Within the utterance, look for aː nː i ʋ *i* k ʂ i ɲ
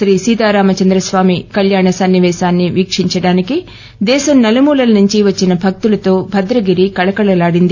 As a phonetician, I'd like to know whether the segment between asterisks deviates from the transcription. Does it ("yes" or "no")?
yes